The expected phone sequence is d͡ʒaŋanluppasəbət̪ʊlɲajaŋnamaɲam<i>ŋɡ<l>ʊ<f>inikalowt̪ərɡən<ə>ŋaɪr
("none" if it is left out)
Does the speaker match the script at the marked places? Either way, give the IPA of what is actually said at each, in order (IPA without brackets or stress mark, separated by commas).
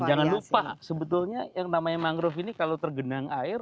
a, ɾ, f, a